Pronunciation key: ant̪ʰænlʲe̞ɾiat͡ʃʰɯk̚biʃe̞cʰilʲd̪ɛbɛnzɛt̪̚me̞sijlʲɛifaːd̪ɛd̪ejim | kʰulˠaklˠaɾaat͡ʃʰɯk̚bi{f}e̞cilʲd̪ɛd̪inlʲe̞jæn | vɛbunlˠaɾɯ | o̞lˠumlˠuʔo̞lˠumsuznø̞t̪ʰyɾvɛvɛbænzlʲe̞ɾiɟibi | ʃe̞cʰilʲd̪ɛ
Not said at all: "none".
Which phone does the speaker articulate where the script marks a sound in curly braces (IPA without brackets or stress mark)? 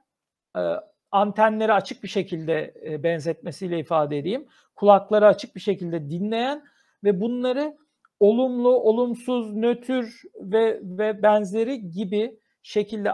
ʃ